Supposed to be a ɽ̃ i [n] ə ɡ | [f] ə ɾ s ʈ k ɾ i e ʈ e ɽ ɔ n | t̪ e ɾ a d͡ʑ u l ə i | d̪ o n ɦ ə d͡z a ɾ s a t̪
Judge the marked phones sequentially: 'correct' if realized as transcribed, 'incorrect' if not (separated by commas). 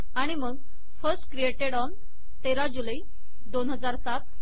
incorrect, correct